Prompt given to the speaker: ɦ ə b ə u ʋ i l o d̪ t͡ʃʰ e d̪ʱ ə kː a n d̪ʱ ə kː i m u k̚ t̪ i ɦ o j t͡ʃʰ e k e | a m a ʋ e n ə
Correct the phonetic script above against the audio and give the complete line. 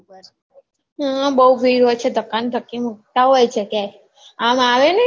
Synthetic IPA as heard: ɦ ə b ə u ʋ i ɾ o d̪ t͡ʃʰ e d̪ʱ ə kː a n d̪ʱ ə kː i m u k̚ t̪ a ɦ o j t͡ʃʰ e k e | a m a ʋ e n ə

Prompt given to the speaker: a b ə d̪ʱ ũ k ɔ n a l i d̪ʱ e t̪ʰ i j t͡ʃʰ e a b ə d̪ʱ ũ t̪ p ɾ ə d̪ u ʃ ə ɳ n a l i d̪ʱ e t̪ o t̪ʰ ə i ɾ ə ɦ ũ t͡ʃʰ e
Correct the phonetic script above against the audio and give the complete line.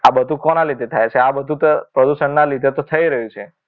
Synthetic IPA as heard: a b ə d̪ʱ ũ k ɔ n a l i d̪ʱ e t̪ʰ a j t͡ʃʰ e a b ə d̪ʱ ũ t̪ p ɾ ə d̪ u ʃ ə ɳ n a l i d̪ʱ e t̪ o t̪ʰ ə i ɾ ə ɦ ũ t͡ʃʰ e

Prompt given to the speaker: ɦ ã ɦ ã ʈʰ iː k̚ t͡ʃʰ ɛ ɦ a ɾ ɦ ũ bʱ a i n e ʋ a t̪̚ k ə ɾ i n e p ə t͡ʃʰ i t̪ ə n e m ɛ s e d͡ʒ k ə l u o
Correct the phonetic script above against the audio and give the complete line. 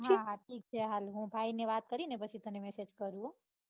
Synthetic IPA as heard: ɦ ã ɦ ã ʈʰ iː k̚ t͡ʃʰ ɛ ɦ a l ɦ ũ bʱ a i n e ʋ a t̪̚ k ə ɾ i n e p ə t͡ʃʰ i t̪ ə n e m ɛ s e d͡ʒ k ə ɾ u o

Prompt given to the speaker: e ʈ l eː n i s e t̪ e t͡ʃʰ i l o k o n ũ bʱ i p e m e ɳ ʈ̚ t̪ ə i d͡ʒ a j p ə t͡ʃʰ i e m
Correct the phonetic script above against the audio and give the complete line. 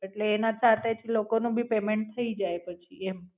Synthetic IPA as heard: e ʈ l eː n a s a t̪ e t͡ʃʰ i l o k o n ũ bʱ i p e m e ɳ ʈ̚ t̪ʰ ə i d͡ʒ a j p ə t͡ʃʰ i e m

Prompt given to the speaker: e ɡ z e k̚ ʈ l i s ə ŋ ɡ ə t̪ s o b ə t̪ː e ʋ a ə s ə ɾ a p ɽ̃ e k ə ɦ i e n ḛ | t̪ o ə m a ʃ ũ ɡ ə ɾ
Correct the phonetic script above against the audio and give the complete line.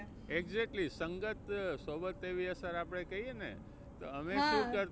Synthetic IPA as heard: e ɡ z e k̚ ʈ l i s ə ŋ ɡ ə t̪ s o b ə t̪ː e ʋ i ə s ə ɾ a p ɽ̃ e k ə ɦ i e n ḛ | t̪ o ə m e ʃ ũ k ə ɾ

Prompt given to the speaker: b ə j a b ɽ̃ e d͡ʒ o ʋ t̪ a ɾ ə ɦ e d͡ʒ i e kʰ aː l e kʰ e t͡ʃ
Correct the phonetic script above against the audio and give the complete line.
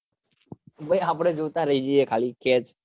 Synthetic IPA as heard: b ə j a p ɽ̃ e d͡ʒ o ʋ t̪ a ɾ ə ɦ i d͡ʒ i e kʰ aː l i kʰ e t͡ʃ

